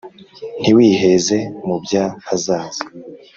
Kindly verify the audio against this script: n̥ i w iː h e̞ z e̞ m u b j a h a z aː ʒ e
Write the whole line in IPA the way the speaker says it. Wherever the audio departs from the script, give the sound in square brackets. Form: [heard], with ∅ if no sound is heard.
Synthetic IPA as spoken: n̥ i w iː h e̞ z e̞ m u b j a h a z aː [z] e

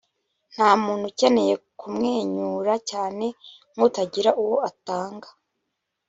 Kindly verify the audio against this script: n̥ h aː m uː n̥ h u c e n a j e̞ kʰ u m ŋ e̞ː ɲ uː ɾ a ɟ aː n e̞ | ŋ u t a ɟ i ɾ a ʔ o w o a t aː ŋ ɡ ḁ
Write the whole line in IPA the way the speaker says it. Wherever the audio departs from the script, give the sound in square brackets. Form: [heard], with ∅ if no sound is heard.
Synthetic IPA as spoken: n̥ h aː m uː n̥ h u c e n [e] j e̞ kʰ u m ŋ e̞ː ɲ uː ɾ a [c] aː n e̞ | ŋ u t a ɟ i ɾ a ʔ [u] w o a t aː ŋ ɡ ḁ

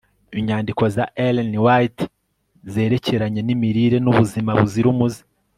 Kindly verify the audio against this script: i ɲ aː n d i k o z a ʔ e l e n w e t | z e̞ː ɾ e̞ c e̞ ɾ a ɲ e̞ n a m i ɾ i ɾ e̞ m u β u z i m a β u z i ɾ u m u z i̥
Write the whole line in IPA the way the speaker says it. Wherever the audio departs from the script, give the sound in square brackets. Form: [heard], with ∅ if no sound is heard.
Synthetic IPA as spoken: i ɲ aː n d i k o z a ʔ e l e n w [a] t | z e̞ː ɾ e̞ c e̞ ɾ a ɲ e̞ n [i] m i ɾ i ɾ e̞ [n] u β u z i m a β u z i ɾ u m u z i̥

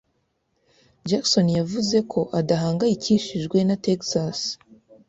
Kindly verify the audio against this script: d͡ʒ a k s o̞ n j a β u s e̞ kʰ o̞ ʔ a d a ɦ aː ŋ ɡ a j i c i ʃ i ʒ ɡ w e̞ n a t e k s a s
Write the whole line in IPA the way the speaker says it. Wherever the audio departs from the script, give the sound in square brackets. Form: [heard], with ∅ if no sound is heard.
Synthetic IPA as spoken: d͡ʒ a k s o̞ n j a [v] u [z] e̞ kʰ o̞ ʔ a d a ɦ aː ŋ ɡ a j i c i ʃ i ʒ ɡ w e̞ n a t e k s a s

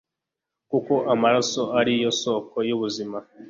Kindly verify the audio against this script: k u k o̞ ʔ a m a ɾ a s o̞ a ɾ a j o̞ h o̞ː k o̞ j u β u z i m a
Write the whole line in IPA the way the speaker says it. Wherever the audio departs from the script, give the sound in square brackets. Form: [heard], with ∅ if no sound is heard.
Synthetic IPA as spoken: k u k o̞ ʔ a m a ɾ a s o̞ a ɾ [i] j o̞ [s] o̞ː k o̞ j u β u z i m a

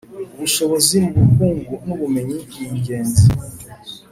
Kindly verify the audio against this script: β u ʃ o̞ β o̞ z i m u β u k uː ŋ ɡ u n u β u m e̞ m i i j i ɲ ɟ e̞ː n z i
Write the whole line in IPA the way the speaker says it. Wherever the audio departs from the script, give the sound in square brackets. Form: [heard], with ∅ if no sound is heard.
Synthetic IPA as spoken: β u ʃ o̞ β o̞ z i m u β u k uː ŋ ɡ u n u β u m e̞ [ɲ] i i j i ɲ ɟ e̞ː n z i

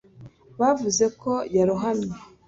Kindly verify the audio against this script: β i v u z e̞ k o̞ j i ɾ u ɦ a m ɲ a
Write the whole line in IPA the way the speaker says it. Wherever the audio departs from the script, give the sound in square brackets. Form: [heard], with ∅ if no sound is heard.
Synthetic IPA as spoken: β [a] v u z e̞ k o̞ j [a] ɾ u ɦ a m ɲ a

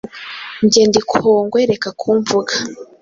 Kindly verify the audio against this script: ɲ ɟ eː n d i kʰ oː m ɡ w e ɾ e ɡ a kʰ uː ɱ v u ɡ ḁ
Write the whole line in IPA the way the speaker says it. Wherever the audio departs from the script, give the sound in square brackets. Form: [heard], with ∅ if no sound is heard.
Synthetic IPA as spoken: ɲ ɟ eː n d i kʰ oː [ŋ] ɡ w e ɾ e [k] a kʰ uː ɱ v u ɡ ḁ

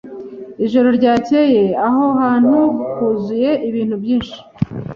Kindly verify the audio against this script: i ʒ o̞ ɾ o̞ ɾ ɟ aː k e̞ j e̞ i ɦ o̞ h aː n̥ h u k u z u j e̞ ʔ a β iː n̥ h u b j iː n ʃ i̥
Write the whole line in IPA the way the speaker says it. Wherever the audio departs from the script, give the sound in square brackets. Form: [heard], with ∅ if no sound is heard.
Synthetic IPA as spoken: i ʒ o̞ ɾ o̞ ɾ ɟ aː [c] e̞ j e̞ [a] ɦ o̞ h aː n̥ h u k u z u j e̞ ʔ [i] β iː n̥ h u b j iː n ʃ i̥

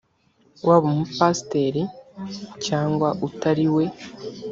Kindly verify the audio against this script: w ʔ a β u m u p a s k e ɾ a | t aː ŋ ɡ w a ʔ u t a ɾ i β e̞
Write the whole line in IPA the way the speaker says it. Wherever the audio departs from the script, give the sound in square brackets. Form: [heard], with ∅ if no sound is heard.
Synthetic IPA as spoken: w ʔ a β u m u p a s [t] e ɾ [i] | [c] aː ŋ ɡ w a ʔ u t a ɾ i [w] e̞

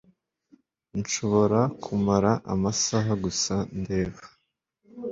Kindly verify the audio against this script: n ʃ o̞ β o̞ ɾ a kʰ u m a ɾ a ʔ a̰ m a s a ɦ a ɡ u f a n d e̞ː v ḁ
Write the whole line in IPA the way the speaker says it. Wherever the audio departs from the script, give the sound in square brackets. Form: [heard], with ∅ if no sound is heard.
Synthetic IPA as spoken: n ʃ o̞ β o̞ ɾ a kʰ u m a ɾ a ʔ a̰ m a s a ɦ a ɡ u [s] a n d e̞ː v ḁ

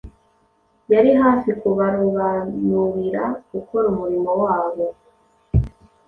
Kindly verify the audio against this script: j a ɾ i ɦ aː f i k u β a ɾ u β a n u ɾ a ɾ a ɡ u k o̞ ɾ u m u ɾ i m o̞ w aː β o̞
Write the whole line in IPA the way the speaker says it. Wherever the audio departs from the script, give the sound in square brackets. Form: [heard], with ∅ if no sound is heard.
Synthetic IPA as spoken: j a ɾ i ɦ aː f i k u β a ɾ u β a n u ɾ [i] ɾ a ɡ u k o̞ ɾ u m u ɾ i m o̞ w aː β o̞

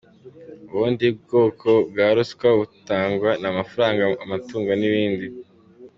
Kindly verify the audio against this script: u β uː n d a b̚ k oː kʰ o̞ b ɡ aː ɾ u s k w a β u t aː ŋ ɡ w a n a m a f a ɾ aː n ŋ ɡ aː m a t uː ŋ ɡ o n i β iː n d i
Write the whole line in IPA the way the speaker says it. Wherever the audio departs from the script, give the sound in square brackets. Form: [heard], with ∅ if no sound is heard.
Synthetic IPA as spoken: u β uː n d [i] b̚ [ɡ] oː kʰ o̞ b ɡ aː ɾ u s k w a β u t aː ŋ ɡ w a n a m a f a ɾ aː [∅] ŋ ɡ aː m a t uː ŋ ɡ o n i β iː n d i

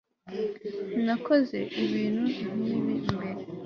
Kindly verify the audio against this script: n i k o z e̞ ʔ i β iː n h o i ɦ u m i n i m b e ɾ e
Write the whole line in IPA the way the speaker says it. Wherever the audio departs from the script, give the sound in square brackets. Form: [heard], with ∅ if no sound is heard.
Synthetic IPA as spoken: n [a] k o z e̞ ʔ i β iː n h [u] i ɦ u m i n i m b e ɾ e

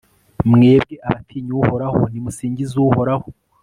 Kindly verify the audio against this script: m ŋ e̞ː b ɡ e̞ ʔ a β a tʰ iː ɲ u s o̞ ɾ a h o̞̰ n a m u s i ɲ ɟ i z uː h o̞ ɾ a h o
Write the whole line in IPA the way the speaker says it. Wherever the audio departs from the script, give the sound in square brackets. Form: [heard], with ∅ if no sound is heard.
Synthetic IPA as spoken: m ŋ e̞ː b ɡ e̞ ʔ a β a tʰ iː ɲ u [h] o̞ ɾ a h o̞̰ n [i] m u s [iː] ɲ ɟ i z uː h o̞ ɾ a h o

